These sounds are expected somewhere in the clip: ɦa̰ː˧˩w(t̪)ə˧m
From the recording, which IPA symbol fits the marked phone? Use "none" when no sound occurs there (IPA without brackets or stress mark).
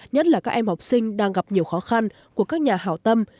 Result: t̪